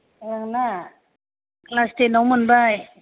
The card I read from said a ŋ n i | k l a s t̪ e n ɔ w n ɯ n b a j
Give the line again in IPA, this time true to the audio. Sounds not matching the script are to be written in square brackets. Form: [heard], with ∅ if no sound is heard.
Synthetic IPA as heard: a ŋ n [a] | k l a s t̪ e n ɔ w [m] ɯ n b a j